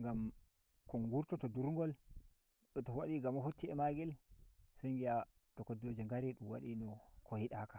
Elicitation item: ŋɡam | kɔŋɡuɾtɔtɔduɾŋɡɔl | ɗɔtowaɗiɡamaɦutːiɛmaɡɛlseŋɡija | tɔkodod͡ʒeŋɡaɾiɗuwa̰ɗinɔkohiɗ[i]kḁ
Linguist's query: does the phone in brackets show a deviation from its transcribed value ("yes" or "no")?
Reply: yes